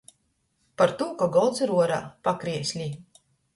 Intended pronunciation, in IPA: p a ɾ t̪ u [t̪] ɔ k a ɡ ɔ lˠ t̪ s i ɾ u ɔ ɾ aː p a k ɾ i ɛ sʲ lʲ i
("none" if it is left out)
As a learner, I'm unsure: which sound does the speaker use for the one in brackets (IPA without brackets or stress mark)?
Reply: none